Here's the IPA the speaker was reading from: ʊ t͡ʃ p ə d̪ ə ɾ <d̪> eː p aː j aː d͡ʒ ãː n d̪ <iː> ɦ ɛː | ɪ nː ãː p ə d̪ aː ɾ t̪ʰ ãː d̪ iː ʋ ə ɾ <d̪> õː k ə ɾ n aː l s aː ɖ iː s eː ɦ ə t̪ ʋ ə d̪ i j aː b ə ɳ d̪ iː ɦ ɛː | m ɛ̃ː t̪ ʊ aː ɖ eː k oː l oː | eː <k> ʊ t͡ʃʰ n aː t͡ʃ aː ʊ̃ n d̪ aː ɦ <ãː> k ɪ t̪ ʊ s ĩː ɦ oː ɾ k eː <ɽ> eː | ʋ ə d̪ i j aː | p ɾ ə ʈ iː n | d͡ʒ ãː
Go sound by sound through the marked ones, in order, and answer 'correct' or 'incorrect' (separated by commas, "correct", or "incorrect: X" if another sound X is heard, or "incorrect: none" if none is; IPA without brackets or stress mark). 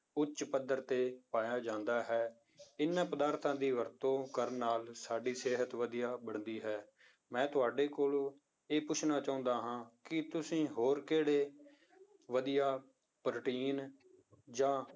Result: incorrect: t̪, incorrect: aː, incorrect: t̪, incorrect: p, correct, correct